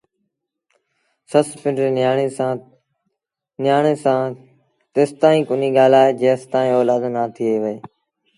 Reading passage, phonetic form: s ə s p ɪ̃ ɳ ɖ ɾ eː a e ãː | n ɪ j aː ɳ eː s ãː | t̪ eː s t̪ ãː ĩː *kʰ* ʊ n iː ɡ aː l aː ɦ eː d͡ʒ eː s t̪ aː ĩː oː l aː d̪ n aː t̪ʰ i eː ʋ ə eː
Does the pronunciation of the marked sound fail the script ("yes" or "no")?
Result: yes